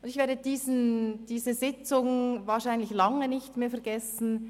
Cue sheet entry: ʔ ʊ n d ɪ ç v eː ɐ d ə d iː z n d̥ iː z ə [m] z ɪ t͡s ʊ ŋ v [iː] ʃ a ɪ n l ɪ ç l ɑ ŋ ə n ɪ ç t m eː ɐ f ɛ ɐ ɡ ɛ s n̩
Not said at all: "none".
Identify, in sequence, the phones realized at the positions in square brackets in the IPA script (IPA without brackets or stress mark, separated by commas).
none, aː